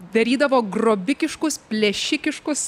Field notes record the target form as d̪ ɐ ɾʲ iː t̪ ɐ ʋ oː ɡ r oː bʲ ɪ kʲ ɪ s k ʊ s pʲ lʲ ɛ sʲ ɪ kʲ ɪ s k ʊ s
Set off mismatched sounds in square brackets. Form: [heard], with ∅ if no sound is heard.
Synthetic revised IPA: d̪ ɐ ɾʲ iː [d̪] ɐ ʋ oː ɡ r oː bʲ ɪ kʲ ɪ [ʃ] k ʊ s pʲ lʲ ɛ [ʃʲ] ɪ kʲ ɪ [ʃ] k ʊ s